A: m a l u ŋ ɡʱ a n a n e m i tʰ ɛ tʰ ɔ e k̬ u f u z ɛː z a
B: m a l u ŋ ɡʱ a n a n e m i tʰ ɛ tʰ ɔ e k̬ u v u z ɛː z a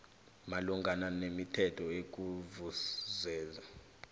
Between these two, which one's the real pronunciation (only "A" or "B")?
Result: B